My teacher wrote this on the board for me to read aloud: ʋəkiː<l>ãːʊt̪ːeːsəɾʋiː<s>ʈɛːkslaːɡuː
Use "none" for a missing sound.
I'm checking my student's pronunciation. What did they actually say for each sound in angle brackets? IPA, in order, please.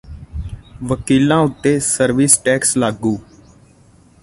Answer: l, s

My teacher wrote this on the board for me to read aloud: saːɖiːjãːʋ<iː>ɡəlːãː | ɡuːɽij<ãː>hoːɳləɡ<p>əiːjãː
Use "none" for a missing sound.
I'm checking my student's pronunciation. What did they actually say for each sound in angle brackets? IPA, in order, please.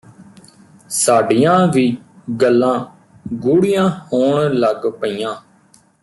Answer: iː, ãː, p

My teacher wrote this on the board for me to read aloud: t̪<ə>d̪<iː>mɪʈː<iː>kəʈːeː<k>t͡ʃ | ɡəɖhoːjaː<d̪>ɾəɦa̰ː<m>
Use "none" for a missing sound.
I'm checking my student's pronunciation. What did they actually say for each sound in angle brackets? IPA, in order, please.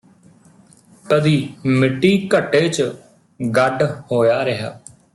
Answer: ə, iː, iː, none, none, none

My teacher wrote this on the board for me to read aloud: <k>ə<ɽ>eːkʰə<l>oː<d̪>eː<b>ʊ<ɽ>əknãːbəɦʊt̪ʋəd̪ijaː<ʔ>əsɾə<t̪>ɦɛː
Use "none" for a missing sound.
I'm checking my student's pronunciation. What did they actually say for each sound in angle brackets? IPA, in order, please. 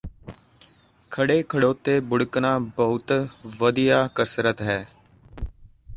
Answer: kʰ, ɽ, ɽ, t̪, b, ɽ, k, t̪

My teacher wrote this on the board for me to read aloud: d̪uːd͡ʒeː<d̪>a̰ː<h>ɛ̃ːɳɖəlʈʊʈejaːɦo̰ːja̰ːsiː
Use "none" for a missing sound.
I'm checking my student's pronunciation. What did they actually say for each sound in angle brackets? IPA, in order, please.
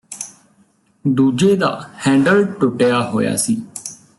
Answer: d̪, h

